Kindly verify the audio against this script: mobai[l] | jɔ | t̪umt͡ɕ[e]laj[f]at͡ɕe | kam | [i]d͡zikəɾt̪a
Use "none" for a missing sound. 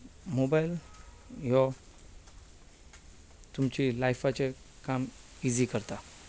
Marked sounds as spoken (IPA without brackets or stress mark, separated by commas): l, i, f, i